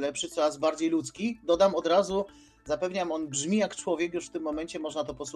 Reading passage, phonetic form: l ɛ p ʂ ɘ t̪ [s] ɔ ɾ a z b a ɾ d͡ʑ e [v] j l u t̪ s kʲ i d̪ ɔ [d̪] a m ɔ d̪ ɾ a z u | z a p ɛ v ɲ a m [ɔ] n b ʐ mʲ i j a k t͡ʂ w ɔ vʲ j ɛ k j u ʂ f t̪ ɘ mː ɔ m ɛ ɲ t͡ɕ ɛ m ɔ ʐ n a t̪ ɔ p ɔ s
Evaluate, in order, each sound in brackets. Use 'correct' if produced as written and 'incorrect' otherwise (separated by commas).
correct, incorrect, correct, correct